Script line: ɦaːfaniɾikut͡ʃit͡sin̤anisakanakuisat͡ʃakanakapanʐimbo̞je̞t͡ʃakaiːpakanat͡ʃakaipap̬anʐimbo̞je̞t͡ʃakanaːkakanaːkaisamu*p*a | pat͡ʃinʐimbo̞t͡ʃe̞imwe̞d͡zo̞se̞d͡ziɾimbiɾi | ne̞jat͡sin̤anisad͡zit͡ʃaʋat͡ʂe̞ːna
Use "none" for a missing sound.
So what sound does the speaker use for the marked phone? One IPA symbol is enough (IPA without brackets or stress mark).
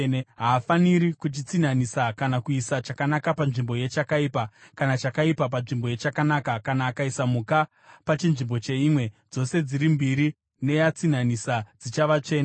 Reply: k